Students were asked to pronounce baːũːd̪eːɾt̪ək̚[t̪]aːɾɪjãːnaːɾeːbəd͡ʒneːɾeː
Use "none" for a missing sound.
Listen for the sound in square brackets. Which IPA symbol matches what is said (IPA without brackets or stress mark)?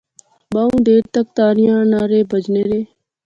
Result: t̪